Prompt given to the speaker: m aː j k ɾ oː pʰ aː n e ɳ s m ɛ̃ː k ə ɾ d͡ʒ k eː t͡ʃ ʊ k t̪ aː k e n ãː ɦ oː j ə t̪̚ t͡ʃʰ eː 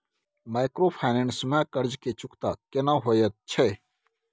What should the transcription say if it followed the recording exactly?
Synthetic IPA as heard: m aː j k ɾ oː pʰ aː n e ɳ s m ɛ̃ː k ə ɾ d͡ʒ k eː t͡ʃ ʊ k t̪ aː k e n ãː ɦ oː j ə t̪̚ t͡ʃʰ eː